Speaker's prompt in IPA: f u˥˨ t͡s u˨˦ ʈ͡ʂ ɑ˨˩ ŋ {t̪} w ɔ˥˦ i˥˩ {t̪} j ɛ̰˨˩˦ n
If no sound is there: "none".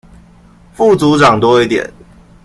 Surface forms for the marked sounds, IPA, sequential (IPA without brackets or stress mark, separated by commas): t̪, t̪